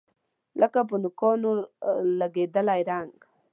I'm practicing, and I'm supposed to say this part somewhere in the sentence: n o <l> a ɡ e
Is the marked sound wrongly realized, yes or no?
no